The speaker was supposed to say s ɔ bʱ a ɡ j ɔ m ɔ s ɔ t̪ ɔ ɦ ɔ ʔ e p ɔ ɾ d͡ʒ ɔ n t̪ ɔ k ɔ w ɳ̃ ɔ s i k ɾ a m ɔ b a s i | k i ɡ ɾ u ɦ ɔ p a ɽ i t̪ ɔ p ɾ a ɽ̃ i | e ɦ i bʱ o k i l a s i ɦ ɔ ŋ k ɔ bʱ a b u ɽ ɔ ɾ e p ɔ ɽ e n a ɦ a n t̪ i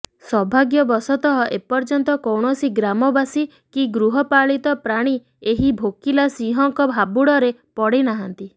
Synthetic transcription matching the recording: s ɔ bʱ a ɡ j ɔ b ɔ s ɔ t̪ ɔ ɦ ɔ ʔ e p ɔ ɾ d͡ʒ ɔ n t̪ ɔ k ɔ w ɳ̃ ɔ s i ɡ ɾ a m ɔ b a s i | k i ɡ ɾ u ɦ ɔ p a ɭ i t̪ ɔ p ɾ a ɽ̃ i | e ɦ i bʱ o k i l a s i ɦ ɔ ŋ k ɔ bʱ a b u ɽ ɔ ɾ e p ɔ ɽ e n a ɦ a n t̪ i